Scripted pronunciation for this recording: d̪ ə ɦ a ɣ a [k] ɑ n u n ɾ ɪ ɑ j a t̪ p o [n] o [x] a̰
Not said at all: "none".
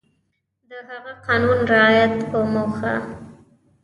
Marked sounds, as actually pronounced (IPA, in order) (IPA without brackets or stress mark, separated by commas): q, m, x